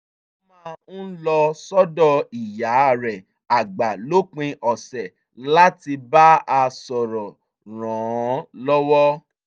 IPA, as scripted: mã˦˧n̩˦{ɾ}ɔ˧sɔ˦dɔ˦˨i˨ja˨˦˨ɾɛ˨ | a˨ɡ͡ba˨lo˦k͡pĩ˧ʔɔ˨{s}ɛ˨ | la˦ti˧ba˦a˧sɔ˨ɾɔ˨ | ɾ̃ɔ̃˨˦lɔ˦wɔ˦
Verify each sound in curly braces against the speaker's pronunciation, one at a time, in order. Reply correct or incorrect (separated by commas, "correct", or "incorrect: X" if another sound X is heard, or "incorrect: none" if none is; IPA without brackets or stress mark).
incorrect: l, correct